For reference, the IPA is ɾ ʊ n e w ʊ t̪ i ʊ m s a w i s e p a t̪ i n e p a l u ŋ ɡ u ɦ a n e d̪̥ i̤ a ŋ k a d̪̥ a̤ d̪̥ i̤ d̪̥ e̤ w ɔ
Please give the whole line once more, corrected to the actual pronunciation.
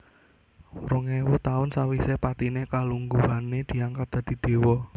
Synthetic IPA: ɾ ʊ ŋ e w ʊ t̪ a ʊ n s a w i s e p a t̪ i n e k a l u ŋ ɡ u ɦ a n e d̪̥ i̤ a ŋ k a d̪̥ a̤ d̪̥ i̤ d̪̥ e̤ w ɔ